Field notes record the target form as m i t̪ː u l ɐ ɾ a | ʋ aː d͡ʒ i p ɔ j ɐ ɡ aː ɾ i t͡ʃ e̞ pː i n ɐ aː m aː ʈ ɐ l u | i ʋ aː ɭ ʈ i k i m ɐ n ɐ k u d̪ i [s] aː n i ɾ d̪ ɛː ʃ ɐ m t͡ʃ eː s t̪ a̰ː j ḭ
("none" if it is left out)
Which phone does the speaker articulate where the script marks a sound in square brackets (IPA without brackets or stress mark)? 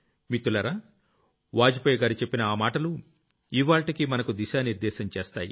ʃ